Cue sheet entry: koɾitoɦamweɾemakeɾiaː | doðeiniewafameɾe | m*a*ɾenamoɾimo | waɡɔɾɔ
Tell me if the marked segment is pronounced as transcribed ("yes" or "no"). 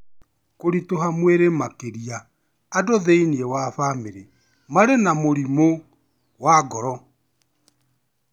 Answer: yes